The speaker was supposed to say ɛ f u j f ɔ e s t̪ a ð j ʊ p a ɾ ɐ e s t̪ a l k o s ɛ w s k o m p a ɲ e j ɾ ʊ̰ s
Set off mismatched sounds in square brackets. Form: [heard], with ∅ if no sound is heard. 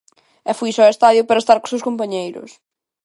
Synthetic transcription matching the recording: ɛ f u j [s] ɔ e s t̪ a ð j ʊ p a ɾ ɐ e s t̪ a [ɾ] k o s [e] w s k o m p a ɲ e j ɾ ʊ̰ s

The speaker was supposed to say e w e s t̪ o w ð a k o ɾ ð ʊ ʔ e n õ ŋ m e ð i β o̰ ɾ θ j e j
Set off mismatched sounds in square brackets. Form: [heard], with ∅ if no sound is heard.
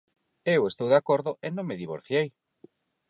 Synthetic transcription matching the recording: e w e s t̪ o w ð a k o ɾ ð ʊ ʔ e n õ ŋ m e ð i β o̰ ɾ θ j e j

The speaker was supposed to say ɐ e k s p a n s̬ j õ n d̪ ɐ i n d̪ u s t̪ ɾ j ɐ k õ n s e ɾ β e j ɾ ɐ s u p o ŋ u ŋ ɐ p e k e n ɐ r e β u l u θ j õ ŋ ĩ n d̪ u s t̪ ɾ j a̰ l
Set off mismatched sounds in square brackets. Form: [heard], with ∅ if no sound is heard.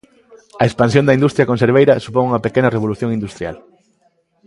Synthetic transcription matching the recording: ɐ e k s p a n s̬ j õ n d̪ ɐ i n d̪ u s t̪ ɾ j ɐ k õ n s e ɾ β e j ɾ ɐ s u p o ŋ u ŋ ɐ p e k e n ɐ r e β [o] l u θ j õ ŋ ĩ n d̪ u s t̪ ɾ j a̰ l

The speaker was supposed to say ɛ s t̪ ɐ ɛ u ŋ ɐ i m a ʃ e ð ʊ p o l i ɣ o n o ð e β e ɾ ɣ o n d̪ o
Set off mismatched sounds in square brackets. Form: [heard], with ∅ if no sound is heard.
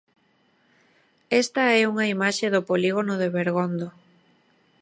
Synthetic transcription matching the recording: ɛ s t̪ ɐ ɛ u ŋ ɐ i m a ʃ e ð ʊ p o l i ɣ o n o ð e β e ɾ ɣ o n d̪ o

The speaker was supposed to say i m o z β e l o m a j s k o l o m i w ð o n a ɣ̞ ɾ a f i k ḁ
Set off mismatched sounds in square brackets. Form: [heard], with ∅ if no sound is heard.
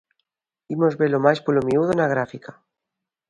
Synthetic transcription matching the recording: i m o z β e l o m a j s [p] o l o m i [u] ð o n a ɣ̞ ɾ a f i k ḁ

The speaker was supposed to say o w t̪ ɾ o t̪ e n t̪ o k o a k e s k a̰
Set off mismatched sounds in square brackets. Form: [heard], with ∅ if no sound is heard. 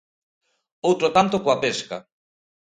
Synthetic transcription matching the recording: o w t̪ ɾ o t̪ [a] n t̪ o k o a [p] e s k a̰

